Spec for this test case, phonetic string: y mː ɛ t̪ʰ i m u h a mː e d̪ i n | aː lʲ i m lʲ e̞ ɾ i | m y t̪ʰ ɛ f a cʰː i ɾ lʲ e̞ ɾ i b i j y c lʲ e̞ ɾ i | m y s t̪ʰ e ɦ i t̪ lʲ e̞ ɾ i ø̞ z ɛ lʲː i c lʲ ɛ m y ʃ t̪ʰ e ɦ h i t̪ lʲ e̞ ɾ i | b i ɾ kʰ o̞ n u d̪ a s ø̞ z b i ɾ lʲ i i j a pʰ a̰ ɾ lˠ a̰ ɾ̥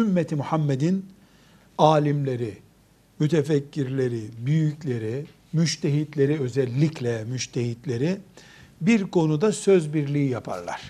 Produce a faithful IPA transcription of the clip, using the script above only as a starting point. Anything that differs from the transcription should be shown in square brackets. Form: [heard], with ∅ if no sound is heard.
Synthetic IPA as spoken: y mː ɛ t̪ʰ i m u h a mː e d̪ i n | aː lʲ i m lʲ e̞ ɾ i | m y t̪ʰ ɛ f [ɛ] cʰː i ɾ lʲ e̞ ɾ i b [y] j y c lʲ e̞ ɾ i | m y [ʃ] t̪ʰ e ɦ i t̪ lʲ e̞ ɾ i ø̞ z ɛ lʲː i c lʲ ɛ m y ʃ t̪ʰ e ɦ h i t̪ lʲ e̞ ɾ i | b i ɾ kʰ o̞ n u d̪ a s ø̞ z b i ɾ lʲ i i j a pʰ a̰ ɾ lˠ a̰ ɾ̥